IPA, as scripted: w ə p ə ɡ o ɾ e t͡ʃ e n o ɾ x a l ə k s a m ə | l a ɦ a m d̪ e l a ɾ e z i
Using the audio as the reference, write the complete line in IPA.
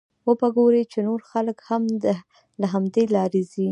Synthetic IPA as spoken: w ə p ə ɡ o ɾ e t͡ʃ e n o ɾ x a l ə k h a m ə | l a ɦ a m d̪ e l ɑ ɾ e z i